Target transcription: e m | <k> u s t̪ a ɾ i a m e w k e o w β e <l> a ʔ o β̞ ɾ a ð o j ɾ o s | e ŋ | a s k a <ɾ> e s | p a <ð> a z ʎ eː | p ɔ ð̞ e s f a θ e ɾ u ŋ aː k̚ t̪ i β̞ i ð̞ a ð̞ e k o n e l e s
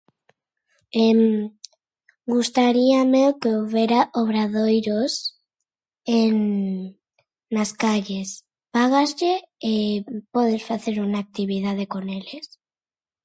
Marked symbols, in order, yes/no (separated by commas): no, no, no, no